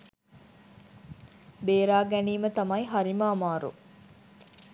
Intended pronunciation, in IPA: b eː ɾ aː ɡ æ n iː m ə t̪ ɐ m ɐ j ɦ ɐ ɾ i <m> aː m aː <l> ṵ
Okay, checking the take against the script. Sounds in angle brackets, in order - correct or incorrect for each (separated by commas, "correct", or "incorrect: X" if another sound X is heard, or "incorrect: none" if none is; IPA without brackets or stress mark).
correct, incorrect: ɾ